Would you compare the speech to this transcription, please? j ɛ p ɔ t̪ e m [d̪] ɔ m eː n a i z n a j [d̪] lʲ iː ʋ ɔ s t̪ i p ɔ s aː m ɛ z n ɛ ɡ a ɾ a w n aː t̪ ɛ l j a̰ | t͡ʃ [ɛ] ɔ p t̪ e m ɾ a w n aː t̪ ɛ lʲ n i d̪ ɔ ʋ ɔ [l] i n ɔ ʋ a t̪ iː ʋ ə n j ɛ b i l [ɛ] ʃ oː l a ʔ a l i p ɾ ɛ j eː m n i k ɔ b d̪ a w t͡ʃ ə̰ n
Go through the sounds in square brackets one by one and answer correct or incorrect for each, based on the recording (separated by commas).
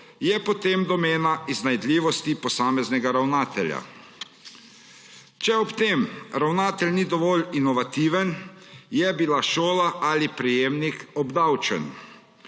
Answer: correct, correct, correct, correct, incorrect